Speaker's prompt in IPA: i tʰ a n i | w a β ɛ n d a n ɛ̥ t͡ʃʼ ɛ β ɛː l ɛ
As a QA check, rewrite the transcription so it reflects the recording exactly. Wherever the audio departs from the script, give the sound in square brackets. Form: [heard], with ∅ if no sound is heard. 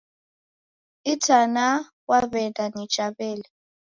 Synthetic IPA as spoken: i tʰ a n [a] | w a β ɛ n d a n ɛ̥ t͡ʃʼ [a] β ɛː l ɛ